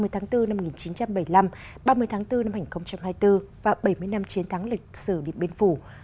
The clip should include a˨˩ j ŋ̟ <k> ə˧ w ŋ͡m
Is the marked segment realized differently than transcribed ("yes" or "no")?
yes